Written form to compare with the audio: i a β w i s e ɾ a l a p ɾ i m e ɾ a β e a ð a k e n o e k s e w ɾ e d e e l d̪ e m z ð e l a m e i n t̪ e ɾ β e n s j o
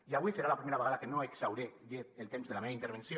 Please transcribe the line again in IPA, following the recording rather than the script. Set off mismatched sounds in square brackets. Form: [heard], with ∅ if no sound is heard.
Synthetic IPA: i a β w i s e ɾ a l a p ɾ i m e ɾ a β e a ð a k e n o e k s [a] w ɾ e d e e l [t̪] e m z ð e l a m e i n t̪ e ɾ β e n s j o